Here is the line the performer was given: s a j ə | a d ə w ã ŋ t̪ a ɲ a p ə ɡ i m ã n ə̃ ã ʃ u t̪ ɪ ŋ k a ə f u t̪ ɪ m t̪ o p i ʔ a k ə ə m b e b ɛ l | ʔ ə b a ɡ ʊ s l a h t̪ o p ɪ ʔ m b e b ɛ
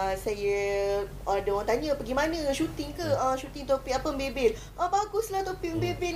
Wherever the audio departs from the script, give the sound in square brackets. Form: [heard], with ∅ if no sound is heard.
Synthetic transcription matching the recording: s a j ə | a d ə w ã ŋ t̪ a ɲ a p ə ɡ i m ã n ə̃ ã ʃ u t̪ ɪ ŋ k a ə [ʃ] u t̪ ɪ [ŋ] t̪ o p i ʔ a [p] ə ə m b e b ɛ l | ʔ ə b a ɡ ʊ s l a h t̪ o p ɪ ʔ m b e b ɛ